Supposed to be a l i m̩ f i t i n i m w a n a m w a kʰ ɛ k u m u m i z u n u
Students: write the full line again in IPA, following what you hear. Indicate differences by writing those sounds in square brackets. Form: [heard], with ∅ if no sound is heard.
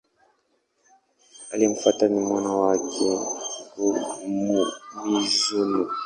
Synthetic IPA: a l i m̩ f [a] t [a] n i m w a n a [∅] w a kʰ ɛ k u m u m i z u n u